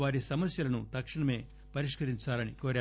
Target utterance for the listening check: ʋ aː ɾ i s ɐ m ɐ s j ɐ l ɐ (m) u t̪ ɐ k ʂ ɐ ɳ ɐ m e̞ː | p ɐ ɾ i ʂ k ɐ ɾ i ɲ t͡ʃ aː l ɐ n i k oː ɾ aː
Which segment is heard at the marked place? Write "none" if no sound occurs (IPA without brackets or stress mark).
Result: n